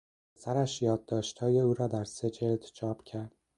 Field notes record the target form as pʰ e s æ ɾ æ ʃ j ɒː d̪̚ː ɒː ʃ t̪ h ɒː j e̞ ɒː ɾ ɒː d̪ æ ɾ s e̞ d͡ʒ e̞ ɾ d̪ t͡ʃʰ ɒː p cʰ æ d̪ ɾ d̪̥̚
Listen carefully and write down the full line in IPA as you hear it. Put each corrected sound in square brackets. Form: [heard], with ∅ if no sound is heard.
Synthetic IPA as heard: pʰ e s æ ɾ æ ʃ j ɒː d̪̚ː ɒː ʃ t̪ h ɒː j e̞ [uː] ɾ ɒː d̪ æ ɾ s e̞ d͡ʒ e̞ [l] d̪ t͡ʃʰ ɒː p cʰ æ [∅] ɾ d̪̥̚